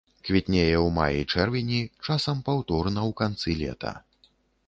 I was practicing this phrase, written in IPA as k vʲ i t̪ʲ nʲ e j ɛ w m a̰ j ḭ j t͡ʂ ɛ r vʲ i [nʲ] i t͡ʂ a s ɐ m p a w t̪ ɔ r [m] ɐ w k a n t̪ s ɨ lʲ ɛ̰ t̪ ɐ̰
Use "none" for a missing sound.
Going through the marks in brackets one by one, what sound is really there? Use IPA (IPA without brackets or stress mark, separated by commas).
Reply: nʲ, n